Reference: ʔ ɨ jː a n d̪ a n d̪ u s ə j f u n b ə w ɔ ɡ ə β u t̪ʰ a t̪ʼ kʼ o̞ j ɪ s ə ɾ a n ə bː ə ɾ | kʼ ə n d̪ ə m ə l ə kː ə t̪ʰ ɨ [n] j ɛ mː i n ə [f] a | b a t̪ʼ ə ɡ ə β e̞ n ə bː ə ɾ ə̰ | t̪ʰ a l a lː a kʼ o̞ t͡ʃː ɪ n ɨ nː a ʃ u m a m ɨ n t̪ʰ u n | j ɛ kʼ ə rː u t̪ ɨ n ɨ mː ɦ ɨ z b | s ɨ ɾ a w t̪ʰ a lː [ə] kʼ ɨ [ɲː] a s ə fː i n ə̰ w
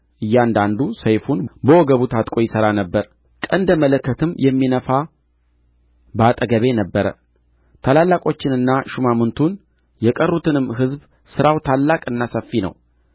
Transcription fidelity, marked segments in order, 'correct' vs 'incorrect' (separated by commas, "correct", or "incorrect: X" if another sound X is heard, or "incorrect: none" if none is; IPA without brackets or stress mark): incorrect: m, correct, incorrect: a, incorrect: nː